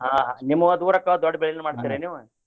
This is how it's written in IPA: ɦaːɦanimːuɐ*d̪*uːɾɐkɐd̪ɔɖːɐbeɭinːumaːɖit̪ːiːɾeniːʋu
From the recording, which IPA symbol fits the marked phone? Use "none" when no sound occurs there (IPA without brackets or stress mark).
d̪